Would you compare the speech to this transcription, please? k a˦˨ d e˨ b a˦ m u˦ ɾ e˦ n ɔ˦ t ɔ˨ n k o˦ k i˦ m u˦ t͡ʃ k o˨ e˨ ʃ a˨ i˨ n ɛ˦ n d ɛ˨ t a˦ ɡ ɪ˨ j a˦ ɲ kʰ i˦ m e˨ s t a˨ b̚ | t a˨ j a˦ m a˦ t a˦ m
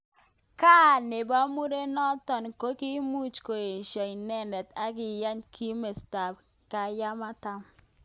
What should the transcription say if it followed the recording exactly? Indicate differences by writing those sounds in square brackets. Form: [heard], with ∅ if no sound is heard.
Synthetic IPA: k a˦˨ [n] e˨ b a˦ m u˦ ɾ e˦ n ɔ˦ t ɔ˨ n k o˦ k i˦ m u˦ t͡ʃ k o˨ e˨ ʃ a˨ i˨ n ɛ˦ n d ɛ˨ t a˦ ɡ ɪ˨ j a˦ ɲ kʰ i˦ m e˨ s t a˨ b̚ | [k] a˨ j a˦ m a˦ t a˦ m